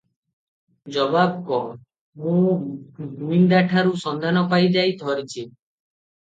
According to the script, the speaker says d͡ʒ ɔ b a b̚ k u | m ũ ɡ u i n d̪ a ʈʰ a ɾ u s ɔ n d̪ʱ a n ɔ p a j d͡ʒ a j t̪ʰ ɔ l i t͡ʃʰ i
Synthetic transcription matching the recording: d͡ʒ ɔ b a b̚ k ɔ | m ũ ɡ u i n d̪ a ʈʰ a ɾ u s ɔ n d̪ʱ a n ɔ p a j d͡ʒ a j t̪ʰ ɔ ɾ i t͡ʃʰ i